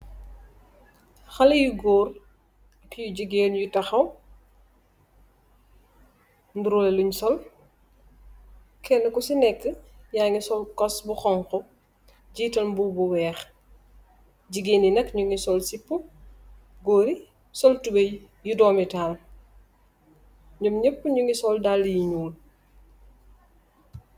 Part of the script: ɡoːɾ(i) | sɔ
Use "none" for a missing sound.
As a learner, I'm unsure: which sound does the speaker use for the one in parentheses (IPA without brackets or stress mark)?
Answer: i